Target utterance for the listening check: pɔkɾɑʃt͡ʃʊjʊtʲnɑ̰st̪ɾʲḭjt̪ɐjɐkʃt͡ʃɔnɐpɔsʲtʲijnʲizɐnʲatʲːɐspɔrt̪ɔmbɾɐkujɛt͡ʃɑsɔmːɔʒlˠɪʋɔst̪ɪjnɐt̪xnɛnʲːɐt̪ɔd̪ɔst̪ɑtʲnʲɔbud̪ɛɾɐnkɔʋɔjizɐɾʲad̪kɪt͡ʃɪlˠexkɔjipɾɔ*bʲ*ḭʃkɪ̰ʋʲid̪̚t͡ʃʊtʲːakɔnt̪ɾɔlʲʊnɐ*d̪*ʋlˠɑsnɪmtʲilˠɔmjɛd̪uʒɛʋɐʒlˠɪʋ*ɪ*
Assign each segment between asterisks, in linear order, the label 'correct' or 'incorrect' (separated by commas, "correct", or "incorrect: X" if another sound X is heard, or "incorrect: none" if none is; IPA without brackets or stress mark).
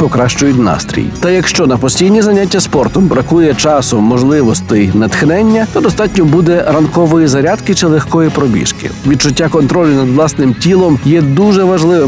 correct, correct, correct